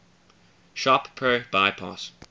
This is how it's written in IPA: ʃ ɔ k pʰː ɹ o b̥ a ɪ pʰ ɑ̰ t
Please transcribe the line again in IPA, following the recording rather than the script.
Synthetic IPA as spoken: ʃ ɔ p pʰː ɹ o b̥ a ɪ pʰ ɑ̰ s